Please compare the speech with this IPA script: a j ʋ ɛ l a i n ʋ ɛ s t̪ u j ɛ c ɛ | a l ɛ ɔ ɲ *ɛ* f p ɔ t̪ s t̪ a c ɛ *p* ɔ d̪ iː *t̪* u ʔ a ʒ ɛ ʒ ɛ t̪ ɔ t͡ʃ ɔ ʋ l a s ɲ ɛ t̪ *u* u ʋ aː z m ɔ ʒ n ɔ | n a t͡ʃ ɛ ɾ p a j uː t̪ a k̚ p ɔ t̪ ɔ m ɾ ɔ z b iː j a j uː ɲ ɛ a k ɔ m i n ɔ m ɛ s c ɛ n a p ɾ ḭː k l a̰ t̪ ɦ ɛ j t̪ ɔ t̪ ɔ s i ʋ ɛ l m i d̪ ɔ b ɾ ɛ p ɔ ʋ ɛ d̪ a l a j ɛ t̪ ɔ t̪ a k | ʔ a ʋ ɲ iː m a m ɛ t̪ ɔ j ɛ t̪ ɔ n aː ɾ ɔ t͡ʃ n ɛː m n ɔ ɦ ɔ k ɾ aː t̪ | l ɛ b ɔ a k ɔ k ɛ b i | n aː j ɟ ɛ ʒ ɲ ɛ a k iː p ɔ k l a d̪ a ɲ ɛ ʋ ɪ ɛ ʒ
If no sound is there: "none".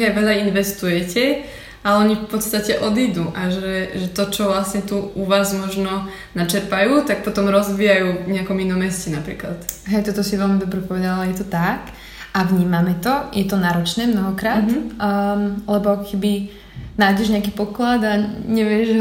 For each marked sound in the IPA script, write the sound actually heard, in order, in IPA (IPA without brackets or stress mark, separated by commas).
i, ʔ, d̪, u